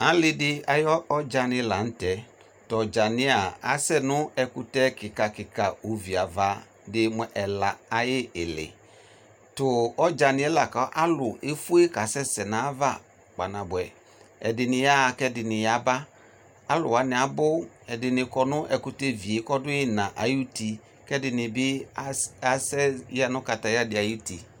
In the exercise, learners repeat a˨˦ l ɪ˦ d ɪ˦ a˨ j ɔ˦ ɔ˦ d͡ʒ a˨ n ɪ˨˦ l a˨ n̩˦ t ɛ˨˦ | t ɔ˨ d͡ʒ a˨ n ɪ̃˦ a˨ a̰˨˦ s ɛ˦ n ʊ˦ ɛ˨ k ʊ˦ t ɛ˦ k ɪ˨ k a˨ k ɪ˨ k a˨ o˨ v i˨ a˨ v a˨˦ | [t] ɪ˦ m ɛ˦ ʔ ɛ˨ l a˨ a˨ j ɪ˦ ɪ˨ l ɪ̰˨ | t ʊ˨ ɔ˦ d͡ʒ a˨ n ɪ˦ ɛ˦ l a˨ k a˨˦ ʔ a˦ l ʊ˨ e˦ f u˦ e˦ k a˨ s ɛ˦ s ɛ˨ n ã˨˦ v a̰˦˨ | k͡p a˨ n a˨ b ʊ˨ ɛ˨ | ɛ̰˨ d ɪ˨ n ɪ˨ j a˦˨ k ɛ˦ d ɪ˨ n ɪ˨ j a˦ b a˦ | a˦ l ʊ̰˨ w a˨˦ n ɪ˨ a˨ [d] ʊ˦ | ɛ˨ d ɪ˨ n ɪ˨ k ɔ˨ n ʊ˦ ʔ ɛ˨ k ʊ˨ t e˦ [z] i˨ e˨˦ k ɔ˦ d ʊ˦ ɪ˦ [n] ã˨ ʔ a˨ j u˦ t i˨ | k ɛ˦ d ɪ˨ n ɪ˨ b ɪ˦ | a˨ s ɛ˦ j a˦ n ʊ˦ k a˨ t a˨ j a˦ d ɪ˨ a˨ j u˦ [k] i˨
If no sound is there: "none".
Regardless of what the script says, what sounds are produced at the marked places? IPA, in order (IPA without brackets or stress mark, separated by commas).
d, b, v, n, t